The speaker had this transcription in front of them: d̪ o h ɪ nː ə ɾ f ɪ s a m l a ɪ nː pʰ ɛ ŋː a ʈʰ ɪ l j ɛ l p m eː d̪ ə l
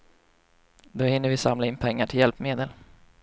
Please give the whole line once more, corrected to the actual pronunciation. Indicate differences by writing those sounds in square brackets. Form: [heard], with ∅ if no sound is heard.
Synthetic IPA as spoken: d̪ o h ɪ nː ə ɾ [v] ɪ s a m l a ɪ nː pʰ ɛ ŋː a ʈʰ ɪ l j ɛ l p m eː d̪ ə l